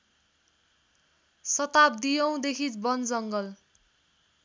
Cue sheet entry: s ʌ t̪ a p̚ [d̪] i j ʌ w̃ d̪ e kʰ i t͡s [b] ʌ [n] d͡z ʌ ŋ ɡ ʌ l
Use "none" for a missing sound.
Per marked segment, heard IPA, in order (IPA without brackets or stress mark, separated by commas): d̪, b, n